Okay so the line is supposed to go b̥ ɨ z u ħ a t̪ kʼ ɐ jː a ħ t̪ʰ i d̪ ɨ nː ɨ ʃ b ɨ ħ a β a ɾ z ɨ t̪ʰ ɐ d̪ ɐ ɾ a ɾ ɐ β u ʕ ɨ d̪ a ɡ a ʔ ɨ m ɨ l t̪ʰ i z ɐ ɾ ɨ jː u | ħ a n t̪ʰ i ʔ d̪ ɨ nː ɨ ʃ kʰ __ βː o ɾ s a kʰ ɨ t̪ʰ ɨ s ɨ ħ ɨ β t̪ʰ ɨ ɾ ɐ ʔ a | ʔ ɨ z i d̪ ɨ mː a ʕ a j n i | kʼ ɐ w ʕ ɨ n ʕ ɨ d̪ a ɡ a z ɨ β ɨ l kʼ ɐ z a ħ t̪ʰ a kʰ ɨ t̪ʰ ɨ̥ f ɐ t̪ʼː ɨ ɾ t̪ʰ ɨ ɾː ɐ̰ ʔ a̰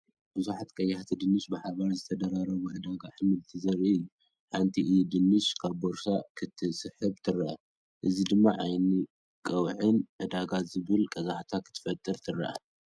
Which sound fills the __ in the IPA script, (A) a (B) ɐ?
A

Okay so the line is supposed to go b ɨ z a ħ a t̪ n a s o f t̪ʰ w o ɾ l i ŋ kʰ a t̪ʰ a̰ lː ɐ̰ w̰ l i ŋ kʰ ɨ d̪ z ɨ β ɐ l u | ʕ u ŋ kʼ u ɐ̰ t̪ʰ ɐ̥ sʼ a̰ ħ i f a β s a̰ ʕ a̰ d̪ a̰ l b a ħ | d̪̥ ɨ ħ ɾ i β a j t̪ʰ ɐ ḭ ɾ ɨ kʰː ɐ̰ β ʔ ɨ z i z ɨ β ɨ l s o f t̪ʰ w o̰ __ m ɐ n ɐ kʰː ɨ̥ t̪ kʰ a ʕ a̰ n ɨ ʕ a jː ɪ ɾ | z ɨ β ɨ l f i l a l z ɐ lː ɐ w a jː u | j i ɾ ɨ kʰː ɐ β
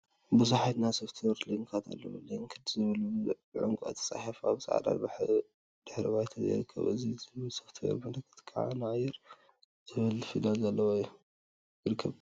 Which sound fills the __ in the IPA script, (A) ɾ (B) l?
A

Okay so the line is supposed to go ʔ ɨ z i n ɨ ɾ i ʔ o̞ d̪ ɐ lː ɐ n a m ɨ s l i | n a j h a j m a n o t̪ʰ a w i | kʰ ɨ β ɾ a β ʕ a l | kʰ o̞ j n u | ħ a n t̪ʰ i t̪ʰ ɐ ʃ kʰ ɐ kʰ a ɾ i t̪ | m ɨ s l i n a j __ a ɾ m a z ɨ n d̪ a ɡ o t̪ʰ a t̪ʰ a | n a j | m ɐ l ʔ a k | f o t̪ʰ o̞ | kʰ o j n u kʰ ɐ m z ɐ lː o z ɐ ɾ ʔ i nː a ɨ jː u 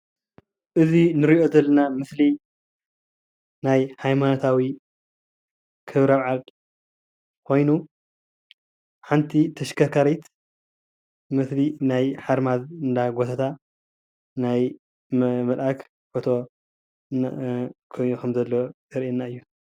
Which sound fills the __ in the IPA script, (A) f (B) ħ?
B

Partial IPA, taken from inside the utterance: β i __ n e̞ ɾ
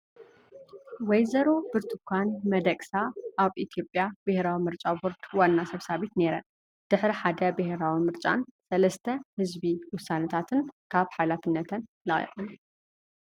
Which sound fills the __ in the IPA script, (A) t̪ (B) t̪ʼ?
A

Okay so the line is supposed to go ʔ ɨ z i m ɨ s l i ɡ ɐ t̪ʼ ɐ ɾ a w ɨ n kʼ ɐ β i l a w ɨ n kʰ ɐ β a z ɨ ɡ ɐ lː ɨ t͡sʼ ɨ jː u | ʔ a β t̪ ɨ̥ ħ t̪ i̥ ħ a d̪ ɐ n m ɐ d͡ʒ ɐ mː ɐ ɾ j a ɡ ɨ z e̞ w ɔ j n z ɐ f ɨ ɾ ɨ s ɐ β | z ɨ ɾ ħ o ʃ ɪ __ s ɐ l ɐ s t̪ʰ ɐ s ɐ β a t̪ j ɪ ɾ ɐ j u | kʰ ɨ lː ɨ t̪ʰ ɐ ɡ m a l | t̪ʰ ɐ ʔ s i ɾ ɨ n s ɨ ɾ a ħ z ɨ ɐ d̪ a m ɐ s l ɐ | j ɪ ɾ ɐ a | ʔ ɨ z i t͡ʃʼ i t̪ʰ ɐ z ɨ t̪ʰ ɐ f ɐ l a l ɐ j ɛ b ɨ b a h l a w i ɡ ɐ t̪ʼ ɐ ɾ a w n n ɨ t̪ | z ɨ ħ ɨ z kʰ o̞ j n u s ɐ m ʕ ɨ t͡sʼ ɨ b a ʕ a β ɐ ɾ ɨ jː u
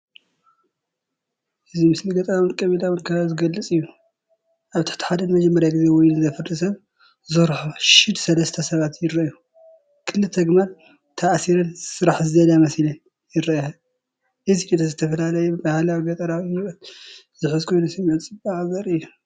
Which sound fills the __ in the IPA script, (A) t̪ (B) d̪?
B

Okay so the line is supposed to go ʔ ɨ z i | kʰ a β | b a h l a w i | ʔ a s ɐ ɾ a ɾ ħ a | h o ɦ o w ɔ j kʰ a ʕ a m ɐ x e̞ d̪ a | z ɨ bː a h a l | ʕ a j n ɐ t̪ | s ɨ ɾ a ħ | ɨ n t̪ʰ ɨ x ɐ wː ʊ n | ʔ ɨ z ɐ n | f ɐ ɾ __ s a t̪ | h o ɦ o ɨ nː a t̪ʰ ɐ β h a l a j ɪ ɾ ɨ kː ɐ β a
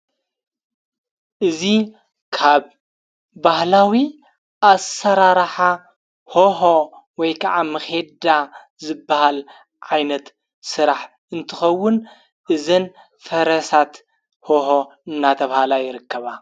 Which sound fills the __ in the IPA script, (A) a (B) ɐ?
B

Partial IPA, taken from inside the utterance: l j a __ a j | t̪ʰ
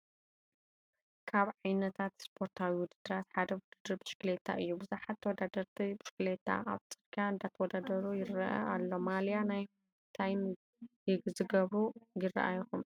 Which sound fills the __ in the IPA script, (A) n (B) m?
A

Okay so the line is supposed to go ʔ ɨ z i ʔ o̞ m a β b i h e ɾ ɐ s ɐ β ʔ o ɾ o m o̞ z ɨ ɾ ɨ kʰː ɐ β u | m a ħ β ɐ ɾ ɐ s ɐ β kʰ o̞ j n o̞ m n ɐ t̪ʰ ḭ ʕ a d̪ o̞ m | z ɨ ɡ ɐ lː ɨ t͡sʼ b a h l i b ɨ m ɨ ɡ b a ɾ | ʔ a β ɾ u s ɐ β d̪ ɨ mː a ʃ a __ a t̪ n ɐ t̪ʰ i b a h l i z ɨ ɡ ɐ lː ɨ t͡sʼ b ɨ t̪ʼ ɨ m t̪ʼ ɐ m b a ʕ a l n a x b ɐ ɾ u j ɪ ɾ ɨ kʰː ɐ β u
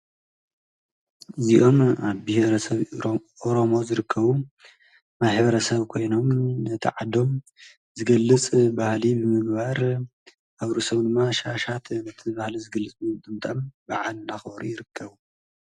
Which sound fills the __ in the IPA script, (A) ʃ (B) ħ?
A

